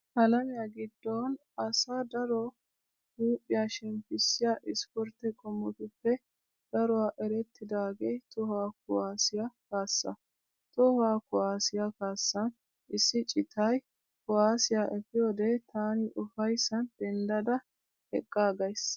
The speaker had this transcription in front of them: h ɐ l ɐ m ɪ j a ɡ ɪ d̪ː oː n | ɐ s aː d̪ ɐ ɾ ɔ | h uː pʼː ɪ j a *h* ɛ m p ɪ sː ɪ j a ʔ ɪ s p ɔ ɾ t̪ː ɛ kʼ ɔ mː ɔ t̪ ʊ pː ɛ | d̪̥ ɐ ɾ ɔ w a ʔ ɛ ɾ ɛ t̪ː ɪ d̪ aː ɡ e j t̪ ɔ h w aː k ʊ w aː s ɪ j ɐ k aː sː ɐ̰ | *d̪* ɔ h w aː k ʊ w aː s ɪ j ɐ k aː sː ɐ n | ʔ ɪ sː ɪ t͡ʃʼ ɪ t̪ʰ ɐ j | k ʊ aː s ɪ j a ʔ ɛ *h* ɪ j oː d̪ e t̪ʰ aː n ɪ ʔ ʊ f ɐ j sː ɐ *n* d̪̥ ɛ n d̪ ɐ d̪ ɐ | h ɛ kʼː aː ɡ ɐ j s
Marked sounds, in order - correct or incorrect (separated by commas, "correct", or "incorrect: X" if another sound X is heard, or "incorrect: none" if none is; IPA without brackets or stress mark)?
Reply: incorrect: ʃ, incorrect: t̪, incorrect: f, correct